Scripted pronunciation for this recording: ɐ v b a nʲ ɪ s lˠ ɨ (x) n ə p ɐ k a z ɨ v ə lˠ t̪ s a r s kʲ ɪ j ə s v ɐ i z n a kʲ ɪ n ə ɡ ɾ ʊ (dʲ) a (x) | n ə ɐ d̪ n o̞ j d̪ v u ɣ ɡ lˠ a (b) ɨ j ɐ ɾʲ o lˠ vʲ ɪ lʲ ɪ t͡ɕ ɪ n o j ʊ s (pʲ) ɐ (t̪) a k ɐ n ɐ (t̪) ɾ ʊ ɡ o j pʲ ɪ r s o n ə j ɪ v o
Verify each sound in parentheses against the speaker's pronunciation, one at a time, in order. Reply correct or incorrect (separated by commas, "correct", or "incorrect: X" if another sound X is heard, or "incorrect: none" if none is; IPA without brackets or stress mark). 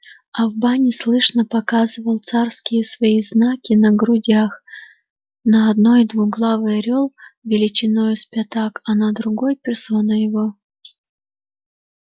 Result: incorrect: ʂ, correct, correct, incorrect: v, correct, correct, incorrect: d̪